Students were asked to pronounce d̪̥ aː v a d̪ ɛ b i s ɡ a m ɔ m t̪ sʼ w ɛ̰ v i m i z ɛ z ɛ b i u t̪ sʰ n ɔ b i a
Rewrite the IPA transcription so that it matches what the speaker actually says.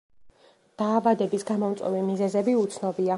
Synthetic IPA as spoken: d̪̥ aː v a d̪ ɛ b i s ɡ a m ɔ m t̪ sʼ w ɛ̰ v i m i z ɛ z ɛ b i u t̪ sʰ n ɔ b i a